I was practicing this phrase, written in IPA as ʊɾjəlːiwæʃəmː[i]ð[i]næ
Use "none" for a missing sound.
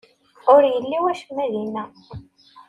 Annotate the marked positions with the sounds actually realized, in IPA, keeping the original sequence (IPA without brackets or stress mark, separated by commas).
æ, i